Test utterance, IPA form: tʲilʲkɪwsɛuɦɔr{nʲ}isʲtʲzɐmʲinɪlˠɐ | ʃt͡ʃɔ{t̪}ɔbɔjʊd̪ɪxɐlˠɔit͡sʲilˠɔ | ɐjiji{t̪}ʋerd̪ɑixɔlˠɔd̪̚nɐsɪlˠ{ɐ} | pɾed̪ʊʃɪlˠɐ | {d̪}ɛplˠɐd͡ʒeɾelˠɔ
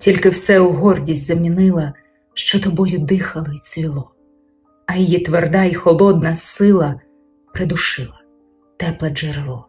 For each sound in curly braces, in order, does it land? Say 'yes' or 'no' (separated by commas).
no, yes, yes, yes, no